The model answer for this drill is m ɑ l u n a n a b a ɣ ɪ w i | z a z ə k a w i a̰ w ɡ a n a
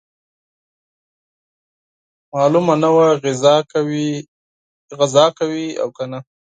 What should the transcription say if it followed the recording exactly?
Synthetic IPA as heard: m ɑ l u m a n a w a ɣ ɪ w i | ɣ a z ɑ k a w i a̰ w k a n a